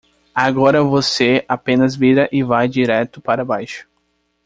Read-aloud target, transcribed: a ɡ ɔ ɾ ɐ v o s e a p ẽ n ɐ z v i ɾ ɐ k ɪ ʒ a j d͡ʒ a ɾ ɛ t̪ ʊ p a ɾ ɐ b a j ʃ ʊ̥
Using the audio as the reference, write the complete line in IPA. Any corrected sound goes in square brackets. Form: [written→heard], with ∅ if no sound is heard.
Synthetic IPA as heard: a ɡ ɔ ɾ ɐ v o s e a p ẽ n ɐ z v i ɾ ɐ [k→ʔ] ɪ [ʒ→v] a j d͡ʒ [a→i] ɾ ɛ t̪ ʊ p a ɾ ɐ b a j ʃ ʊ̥